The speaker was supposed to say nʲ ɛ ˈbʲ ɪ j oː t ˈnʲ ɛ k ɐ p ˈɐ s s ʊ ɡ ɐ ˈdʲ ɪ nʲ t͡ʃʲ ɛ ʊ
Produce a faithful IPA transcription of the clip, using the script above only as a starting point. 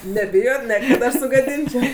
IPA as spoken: nʲ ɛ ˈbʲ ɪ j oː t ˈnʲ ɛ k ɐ t ˈɐ ʃ s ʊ ɡ ɐ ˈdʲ ɪ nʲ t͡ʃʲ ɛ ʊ